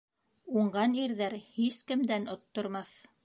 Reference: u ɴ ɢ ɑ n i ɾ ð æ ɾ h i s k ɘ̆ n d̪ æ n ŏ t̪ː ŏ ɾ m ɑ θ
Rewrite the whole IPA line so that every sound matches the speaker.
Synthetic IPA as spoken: u ɴ ɢ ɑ n i ɾ ð æ ɾ h i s k ɘ̆ m d̪ æ n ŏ t̪ː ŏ ɾ m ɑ θ